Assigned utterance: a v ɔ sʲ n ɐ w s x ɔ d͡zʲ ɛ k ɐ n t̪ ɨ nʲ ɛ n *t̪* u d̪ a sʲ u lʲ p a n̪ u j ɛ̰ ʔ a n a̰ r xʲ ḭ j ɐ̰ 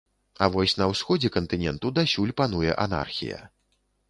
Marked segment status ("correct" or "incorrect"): correct